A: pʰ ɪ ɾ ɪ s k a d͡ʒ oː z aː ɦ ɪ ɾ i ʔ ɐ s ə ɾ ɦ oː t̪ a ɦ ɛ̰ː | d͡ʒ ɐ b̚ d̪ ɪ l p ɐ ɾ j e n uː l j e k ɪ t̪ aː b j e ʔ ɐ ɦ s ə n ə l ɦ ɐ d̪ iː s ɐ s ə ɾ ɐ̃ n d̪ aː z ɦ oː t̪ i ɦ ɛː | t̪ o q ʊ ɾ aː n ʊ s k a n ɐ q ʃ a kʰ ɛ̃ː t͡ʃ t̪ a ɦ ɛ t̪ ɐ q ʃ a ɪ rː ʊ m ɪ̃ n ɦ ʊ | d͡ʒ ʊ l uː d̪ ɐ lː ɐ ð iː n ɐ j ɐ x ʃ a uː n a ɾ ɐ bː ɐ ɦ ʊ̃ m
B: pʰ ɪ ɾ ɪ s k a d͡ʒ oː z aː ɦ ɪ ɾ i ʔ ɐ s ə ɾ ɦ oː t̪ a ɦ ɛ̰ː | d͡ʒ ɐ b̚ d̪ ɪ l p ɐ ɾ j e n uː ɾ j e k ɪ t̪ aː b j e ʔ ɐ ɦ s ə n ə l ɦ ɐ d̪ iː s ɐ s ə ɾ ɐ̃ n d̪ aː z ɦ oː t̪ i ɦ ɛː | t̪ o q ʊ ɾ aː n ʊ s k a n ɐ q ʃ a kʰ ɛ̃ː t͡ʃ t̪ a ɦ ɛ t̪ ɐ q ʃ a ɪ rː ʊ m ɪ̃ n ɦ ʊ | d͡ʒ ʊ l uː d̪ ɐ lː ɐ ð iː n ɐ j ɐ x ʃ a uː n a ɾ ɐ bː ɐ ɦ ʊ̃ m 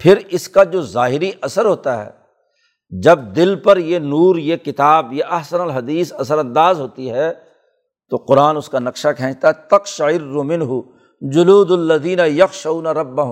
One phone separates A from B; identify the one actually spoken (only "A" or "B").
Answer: B